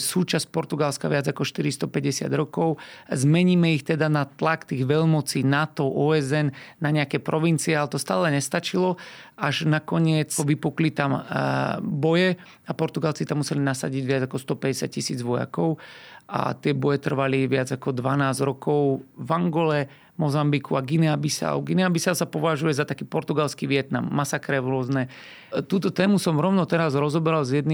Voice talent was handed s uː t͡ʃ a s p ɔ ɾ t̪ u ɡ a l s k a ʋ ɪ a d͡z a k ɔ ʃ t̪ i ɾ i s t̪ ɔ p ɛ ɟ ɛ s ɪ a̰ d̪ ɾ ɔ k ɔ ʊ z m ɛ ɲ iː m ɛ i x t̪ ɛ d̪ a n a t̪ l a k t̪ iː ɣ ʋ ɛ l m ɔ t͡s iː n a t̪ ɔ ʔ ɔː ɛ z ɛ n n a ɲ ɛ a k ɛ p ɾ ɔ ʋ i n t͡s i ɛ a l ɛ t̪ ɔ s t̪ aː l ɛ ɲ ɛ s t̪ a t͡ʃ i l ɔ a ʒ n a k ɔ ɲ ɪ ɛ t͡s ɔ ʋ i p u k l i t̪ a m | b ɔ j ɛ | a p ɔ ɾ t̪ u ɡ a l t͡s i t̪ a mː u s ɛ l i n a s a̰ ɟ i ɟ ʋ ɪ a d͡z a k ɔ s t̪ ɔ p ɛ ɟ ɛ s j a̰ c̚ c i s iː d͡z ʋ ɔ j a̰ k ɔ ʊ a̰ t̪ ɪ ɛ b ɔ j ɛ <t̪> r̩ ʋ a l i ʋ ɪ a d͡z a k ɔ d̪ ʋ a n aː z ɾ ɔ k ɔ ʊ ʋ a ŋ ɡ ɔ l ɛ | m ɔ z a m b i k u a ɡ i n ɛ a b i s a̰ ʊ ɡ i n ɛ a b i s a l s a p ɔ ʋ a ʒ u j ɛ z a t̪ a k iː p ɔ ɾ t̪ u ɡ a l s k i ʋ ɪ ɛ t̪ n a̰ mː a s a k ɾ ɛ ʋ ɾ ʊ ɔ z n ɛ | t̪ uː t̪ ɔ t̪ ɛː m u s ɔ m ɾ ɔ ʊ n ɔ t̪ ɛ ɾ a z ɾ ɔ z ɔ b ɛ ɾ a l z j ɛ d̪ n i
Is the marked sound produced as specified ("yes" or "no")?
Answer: yes